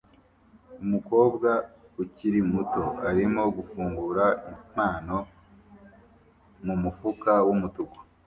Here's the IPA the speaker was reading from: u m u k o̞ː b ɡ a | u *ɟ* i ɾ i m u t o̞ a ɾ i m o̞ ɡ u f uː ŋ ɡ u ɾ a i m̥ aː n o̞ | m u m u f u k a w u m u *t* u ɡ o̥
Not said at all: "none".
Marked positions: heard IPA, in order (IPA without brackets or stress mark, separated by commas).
c, t